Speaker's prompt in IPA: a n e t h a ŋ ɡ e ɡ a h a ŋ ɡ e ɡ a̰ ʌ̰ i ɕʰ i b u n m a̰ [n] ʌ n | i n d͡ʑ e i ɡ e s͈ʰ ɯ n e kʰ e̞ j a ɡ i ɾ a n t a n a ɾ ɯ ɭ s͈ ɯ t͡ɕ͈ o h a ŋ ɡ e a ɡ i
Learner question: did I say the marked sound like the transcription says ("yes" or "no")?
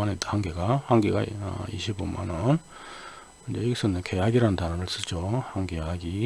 yes